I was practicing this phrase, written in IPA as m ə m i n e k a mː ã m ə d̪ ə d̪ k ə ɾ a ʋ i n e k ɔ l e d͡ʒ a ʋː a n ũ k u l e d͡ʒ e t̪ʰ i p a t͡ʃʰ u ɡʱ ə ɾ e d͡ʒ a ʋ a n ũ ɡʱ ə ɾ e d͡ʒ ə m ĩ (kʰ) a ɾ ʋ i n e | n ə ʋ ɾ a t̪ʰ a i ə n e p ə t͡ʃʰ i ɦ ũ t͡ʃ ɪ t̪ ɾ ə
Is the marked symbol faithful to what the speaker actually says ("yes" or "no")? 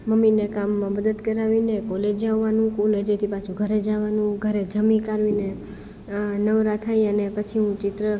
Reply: no